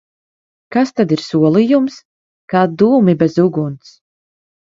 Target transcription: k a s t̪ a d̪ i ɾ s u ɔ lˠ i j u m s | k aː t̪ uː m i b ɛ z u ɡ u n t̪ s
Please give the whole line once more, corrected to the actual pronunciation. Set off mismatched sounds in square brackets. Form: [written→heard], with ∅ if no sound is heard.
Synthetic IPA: k a s t̪ a d̪ i ɾ s u ɔ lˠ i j u m s | k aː [t̪→d̪] uː m i b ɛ z u ɡ u n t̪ s

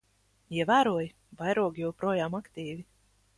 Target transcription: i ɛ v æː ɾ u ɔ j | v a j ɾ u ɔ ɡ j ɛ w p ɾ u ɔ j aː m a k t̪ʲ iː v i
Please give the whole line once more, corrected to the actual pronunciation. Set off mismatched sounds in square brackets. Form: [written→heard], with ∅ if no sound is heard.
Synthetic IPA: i ɛ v æː ɾ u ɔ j | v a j ɾ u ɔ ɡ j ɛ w p ɾ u ɔ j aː m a k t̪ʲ iː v i

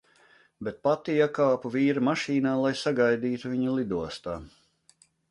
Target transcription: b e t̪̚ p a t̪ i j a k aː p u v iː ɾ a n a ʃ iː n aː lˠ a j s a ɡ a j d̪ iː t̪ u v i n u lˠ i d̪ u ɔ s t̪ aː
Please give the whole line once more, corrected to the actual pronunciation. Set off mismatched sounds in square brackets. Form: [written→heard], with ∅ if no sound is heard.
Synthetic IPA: b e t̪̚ p a t̪ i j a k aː p u v iː ɾ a [n→m] a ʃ iː n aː lˠ a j s a ɡ a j d̪ iː t̪ u v i [n→ɲ] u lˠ i d̪ u ɔ s t̪ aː

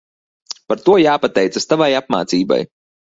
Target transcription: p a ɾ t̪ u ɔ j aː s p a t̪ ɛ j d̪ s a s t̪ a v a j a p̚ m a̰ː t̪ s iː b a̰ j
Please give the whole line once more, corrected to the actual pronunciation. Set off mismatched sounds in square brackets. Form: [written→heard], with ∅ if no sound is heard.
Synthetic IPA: p a ɾ t̪ u ɔ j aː [s→∅] p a t̪ ɛ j [d̪→t̪] s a s t̪ a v a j a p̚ m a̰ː t̪ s iː b a̰ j

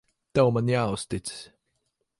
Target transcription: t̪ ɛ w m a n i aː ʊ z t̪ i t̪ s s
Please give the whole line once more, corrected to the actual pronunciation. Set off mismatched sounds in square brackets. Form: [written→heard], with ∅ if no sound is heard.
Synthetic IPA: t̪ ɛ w m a n [i→j] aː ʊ [z→s] t̪ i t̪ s s

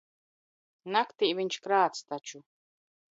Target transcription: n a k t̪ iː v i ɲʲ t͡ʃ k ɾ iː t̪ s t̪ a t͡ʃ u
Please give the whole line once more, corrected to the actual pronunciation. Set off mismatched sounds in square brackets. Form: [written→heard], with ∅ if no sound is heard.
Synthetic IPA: n a k t̪ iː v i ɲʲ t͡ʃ k ɾ [iː→aː] t̪ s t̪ a t͡ʃ u

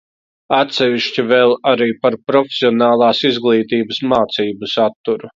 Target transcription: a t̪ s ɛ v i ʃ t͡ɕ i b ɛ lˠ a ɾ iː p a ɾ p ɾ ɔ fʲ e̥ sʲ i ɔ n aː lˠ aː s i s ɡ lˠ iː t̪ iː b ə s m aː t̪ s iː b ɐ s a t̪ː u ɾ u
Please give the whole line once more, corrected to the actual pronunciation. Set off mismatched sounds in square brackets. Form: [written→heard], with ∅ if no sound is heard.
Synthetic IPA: a t̪ s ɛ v i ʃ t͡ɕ i [b→v] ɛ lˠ a ɾ iː p a ɾ p ɾ ɔ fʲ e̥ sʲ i ɔ n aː lˠ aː s i [s→z] ɡ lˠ iː t̪ iː b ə s m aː t̪ s iː b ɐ s a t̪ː u ɾ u

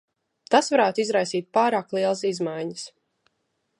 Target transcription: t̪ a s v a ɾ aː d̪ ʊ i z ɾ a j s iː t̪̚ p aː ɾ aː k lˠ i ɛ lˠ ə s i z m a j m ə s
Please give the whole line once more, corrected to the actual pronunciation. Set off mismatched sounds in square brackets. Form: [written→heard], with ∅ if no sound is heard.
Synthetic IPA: t̪ a s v a ɾ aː [d̪→t̪] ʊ i z ɾ a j s iː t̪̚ p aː ɾ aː k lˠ i ɛ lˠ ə s i z m a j [m→ɲ] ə s

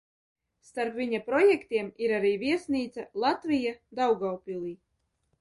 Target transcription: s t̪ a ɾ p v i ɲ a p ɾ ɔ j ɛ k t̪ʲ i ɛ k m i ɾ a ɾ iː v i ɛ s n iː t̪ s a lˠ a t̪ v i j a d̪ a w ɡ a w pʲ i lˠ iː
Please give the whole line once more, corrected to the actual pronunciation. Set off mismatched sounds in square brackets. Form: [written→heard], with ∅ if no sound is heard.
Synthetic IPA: s t̪ a ɾ p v i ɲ a p ɾ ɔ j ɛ k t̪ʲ i ɛ [k→∅] m i ɾ a ɾ iː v i ɛ s n iː t̪ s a lˠ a t̪ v i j a d̪ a w ɡ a w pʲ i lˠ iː

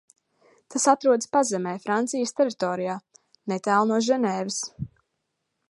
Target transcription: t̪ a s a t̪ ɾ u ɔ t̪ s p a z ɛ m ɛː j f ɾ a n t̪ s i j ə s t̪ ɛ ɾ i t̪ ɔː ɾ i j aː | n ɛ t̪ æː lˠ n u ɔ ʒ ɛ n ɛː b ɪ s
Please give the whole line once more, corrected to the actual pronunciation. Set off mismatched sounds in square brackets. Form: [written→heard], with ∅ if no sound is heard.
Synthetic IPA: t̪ a s a t̪ ɾ u ɔ [t̪→d̪] s p a z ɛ m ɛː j f ɾ a n t̪ s i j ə s t̪ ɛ ɾ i t̪ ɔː ɾ i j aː | n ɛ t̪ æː lˠ n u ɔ ʒ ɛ n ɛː [b→v] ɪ s

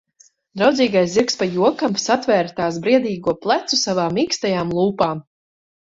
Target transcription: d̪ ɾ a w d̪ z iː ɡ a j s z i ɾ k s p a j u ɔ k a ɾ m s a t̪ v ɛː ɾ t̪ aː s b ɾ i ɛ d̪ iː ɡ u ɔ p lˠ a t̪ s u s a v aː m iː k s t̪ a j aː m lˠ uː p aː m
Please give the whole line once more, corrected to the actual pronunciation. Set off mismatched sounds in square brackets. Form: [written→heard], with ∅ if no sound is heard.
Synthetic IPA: d̪ ɾ a w d̪ z iː ɡ a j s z i ɾ k s p a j u ɔ k a [ɾ→∅] m s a t̪ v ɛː ɾ t̪ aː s b ɾ i ɛ d̪ iː ɡ u ɔ p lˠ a t̪ s u s a v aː m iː k s t̪ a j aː m lˠ uː p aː m

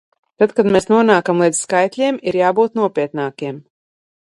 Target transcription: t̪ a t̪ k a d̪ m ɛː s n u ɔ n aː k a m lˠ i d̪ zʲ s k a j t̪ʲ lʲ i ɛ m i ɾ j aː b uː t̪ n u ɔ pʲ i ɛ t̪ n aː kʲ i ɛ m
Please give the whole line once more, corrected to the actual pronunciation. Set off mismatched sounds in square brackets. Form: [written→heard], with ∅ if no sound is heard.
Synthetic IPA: t̪ a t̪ k a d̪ m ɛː s n u ɔ n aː k a m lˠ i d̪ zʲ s k a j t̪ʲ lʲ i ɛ m i ɾ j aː b uː t̪ n u ɔ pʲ i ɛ t̪ n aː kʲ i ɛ m

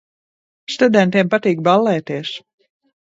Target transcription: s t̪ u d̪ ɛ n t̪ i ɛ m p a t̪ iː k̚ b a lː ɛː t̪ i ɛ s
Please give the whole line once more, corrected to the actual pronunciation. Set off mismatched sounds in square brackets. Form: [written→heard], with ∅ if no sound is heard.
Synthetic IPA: s t̪ u d̪ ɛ n t̪ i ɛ m p a t̪ iː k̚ b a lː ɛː t̪ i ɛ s

